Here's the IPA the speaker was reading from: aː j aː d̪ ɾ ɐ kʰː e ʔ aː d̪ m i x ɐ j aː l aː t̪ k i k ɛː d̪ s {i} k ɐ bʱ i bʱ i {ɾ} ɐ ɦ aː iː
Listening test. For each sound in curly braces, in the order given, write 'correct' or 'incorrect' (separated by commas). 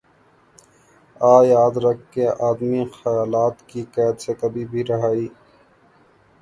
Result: incorrect, correct